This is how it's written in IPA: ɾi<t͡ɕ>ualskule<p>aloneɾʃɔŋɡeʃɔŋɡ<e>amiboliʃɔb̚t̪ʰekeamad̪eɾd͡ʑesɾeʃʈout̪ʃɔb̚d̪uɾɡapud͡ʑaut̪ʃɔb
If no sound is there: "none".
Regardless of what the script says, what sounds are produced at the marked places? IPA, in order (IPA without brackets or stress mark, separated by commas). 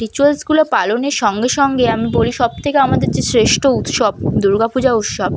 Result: t͡ɕ, p, e